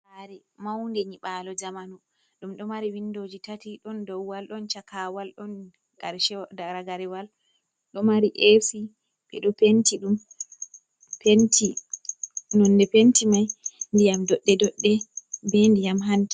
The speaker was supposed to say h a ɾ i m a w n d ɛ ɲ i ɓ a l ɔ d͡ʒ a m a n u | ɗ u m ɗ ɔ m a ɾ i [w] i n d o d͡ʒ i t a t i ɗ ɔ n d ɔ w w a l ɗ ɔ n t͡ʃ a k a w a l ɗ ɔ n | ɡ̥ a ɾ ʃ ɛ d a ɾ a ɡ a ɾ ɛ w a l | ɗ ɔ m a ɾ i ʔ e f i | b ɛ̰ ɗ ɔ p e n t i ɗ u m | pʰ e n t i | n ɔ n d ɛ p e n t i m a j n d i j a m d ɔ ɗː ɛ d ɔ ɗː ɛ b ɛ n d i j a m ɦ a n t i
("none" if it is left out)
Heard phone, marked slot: w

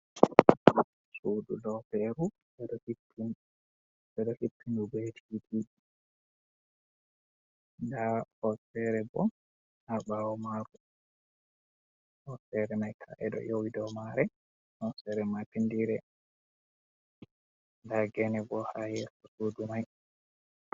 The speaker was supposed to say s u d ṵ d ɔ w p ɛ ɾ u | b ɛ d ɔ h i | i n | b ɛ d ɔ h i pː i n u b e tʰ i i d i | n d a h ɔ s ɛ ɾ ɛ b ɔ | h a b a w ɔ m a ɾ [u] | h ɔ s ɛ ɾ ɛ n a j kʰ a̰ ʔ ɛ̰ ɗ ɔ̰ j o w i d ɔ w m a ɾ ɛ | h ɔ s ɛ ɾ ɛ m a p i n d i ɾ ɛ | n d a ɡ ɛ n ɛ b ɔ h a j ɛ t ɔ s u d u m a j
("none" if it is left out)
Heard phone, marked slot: u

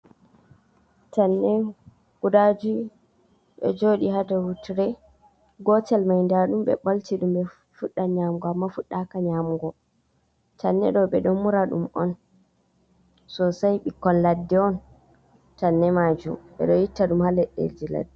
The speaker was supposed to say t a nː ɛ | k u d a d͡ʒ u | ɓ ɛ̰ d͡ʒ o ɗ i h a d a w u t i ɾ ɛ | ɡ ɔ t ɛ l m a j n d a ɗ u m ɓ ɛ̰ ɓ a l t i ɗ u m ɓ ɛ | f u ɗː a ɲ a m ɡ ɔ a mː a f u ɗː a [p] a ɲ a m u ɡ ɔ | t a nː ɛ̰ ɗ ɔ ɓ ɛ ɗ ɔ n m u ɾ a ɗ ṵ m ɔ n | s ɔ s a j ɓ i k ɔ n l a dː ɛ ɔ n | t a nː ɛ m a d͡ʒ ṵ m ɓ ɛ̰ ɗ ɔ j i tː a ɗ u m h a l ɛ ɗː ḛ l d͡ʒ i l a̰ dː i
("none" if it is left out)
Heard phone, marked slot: k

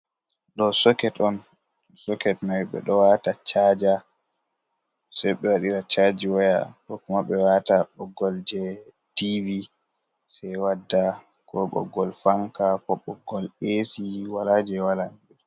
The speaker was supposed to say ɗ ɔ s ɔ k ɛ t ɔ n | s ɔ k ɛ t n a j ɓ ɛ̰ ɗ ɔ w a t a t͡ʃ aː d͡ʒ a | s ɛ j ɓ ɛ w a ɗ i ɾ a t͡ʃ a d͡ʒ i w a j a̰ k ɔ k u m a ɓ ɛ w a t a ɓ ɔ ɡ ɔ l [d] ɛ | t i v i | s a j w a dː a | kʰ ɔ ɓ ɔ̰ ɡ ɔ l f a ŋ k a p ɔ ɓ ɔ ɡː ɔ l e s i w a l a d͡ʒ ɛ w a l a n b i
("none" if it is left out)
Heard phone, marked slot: d͡ʒ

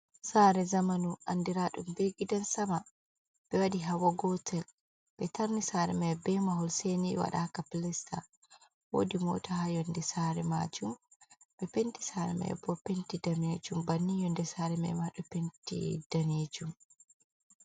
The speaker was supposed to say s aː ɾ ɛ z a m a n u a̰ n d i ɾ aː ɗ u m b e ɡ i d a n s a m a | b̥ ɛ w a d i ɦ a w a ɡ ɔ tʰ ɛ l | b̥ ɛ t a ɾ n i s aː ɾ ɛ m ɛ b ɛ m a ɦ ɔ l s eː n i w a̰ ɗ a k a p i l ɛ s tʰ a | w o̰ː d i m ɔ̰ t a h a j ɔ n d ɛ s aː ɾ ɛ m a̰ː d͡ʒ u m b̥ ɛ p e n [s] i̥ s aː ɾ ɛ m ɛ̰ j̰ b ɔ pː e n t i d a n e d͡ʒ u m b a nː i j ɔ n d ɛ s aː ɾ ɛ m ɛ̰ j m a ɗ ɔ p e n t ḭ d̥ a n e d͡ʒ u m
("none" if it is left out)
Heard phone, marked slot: t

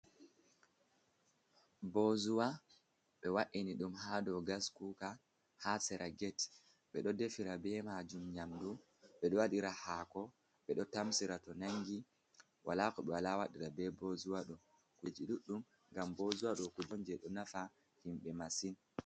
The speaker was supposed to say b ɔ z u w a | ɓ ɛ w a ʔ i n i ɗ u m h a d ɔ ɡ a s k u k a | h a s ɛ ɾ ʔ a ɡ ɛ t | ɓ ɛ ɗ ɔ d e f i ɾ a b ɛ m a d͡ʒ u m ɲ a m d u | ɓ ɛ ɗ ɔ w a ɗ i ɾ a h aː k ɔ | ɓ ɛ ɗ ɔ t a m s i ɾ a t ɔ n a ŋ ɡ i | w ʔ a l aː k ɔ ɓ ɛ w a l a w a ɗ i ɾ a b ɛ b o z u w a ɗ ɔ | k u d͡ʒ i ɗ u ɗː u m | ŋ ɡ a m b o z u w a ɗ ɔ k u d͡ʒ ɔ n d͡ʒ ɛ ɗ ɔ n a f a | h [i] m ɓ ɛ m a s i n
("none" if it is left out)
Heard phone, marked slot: i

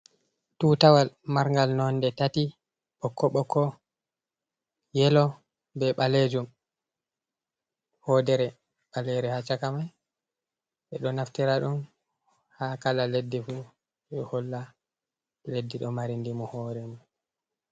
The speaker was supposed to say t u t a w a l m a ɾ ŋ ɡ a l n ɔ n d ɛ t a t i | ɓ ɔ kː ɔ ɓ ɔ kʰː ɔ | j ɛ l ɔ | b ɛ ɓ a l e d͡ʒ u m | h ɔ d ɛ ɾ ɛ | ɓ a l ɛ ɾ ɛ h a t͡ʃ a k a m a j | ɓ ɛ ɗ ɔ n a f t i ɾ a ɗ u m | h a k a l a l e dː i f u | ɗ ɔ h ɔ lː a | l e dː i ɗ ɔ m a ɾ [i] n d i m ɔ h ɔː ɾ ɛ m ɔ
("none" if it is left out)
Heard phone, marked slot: i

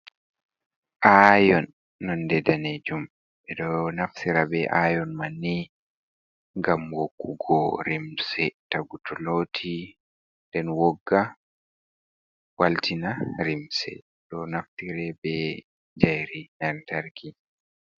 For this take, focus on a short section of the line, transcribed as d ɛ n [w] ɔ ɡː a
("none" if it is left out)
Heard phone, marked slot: w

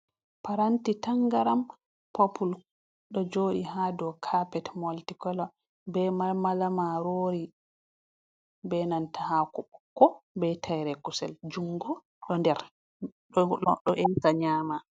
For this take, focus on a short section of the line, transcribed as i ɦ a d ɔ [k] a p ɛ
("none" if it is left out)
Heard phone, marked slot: kʰ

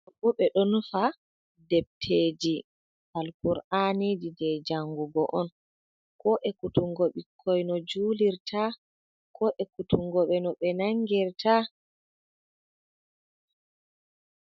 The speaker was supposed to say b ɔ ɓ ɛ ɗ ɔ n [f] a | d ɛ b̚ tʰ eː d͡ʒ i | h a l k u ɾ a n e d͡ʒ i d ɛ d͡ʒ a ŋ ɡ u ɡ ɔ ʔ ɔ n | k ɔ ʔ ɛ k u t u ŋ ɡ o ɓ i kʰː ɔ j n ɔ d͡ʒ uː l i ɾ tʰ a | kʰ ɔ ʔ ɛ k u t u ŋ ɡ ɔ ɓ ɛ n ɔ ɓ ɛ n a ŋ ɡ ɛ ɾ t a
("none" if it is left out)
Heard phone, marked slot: f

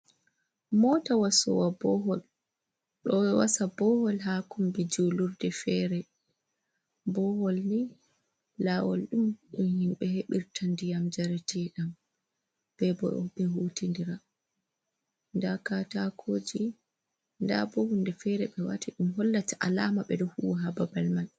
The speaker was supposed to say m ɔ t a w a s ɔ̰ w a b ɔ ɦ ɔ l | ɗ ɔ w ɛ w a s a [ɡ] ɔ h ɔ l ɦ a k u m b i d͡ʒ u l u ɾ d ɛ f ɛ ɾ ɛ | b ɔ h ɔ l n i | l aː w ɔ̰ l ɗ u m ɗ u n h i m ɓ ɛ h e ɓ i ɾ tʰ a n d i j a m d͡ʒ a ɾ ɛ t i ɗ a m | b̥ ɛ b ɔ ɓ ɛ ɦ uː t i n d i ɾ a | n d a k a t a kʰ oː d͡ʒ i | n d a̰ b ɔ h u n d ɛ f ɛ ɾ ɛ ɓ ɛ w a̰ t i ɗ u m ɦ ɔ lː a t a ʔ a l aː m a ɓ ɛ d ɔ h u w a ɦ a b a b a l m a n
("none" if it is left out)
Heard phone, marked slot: b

